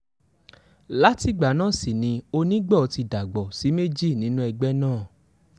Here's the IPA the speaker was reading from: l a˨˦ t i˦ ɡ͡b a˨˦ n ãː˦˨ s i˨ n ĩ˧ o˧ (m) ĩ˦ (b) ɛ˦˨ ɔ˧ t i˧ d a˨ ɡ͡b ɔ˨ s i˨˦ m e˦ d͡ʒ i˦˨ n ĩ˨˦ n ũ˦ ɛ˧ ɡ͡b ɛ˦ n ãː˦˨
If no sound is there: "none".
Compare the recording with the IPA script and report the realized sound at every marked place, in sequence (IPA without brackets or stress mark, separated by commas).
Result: n, ɡ͡b